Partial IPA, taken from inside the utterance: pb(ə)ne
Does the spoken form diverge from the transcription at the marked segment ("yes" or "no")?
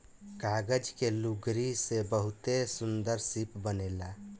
no